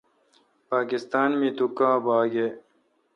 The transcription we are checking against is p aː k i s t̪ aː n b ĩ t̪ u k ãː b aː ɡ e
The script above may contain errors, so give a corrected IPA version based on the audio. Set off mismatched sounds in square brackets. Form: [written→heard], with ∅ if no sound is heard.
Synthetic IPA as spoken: p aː k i s t̪ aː n [b→m] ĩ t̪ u k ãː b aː ɡ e